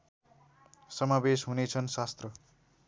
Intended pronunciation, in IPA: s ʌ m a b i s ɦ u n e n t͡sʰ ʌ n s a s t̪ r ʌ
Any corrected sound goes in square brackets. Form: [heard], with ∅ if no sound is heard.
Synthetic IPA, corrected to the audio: s ʌ m a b [e] s ɦ u n e [∅] t͡sʰ ʌ n s a s t̪ r ʌ